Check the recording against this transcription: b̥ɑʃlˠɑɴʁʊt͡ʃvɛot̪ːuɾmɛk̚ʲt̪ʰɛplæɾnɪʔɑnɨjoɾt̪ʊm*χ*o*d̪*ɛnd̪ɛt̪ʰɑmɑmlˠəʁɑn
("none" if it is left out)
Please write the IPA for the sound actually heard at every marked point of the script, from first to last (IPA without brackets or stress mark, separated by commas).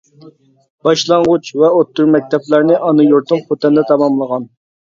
χ, t̪